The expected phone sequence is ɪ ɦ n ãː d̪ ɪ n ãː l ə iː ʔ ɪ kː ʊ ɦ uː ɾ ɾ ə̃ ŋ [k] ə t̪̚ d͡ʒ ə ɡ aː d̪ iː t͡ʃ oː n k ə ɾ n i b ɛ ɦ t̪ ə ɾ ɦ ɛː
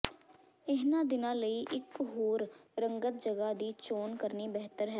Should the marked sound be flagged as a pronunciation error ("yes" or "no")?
yes